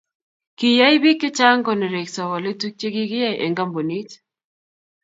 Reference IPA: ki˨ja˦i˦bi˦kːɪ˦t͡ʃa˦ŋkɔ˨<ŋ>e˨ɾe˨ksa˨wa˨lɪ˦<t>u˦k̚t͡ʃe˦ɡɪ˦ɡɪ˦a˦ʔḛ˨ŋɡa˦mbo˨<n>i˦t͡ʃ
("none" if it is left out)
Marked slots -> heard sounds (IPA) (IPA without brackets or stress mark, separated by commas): n, t, n